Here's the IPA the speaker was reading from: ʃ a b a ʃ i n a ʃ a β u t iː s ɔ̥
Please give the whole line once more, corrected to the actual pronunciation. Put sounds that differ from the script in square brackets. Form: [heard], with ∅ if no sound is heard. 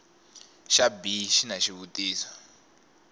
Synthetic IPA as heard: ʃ a b [i] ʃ i n a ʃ [i] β u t iː s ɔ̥